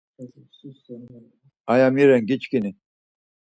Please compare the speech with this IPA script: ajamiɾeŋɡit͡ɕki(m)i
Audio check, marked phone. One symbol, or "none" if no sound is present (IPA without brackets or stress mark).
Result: n